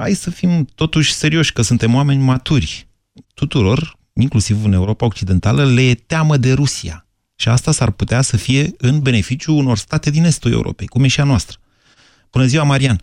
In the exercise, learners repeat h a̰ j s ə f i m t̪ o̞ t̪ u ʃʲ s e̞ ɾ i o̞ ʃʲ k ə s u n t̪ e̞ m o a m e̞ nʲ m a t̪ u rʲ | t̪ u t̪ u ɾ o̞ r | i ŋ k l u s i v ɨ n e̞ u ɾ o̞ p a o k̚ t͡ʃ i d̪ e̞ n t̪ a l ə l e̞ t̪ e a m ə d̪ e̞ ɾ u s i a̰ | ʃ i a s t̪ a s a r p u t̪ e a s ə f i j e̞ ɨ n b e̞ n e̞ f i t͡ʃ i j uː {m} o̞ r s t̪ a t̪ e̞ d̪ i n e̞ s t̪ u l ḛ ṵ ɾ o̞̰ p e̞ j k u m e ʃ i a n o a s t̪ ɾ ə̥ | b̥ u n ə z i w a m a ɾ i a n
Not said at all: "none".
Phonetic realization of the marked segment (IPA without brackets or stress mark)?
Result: n